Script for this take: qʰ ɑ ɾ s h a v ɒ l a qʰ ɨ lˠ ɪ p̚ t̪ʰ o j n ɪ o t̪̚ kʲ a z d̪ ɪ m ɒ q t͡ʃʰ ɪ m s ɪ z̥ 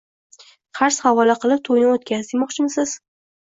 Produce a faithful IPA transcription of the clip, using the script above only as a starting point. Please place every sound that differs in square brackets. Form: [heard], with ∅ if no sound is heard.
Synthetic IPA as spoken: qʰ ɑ ɾ s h a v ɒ l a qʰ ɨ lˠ ɪ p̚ t̪ʰ o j n ɪ o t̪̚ kʲ a z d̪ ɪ m ɒ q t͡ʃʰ ɪ m s ɪ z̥